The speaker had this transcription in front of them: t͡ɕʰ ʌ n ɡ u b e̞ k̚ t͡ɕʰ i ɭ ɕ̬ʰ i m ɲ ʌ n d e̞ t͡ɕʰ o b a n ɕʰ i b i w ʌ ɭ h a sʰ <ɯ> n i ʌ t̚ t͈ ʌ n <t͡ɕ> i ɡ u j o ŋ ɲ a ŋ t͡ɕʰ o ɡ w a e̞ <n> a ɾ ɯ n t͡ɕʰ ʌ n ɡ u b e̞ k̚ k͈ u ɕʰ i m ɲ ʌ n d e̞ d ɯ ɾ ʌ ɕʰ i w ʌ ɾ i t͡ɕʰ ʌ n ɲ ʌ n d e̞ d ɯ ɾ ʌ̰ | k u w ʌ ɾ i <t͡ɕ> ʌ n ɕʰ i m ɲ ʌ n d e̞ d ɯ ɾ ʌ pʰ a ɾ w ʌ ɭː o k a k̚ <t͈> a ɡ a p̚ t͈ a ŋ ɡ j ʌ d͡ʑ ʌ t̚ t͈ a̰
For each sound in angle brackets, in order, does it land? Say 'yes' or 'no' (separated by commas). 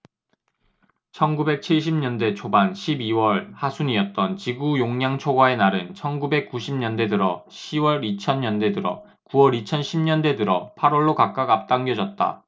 no, yes, yes, no, no